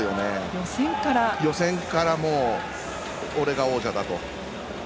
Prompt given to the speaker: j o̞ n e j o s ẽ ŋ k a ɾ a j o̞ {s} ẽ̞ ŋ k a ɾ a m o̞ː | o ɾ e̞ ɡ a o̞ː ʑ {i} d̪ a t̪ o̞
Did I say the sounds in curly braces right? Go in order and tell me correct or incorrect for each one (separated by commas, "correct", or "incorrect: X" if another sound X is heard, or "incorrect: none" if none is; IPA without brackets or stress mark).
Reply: correct, incorrect: a